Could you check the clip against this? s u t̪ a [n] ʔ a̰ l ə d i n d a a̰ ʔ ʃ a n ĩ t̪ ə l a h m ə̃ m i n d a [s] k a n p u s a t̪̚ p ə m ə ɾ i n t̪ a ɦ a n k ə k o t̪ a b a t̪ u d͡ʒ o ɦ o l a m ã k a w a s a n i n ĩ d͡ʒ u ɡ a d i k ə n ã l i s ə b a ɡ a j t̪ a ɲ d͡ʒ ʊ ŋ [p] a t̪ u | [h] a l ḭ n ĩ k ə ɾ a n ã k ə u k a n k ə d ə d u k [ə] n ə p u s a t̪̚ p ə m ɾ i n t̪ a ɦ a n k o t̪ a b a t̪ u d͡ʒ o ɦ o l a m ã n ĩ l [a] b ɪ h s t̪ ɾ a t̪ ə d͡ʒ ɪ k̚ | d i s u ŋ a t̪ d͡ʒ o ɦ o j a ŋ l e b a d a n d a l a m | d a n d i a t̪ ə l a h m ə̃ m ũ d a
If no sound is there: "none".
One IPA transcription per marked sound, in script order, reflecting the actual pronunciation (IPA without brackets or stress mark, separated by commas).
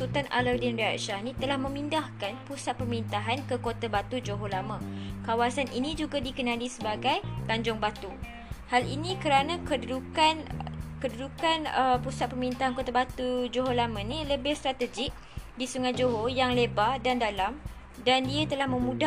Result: n, h, b, h, a, ə